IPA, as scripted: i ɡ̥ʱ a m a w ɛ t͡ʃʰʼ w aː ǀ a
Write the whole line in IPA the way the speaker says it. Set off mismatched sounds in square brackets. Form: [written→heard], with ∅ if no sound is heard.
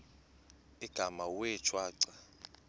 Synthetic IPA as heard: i ɡ̥ʱ a m a w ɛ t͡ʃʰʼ w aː ǀ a